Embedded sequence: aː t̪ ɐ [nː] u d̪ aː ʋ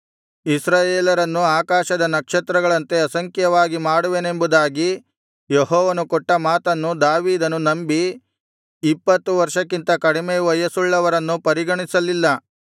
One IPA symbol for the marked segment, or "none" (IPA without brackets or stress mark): nː